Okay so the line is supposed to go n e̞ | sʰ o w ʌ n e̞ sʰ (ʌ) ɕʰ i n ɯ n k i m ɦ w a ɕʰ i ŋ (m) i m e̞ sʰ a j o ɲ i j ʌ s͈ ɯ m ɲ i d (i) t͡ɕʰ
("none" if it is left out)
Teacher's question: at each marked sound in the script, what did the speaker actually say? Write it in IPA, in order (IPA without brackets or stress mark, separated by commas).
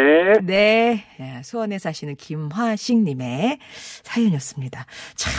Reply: a, ɲ, a